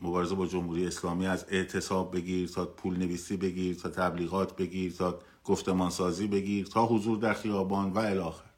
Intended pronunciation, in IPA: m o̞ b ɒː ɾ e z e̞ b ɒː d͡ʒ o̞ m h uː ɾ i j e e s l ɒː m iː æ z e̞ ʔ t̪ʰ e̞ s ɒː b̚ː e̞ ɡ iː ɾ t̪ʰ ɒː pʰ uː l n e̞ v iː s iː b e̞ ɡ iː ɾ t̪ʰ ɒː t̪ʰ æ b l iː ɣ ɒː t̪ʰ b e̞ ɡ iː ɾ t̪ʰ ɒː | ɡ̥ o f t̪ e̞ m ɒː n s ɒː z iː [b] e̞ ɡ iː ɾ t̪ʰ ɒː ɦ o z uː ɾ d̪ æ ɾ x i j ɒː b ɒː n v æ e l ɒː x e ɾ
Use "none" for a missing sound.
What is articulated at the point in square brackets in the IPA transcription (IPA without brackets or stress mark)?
b